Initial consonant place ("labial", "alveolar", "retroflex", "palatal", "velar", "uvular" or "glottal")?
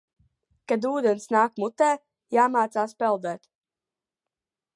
velar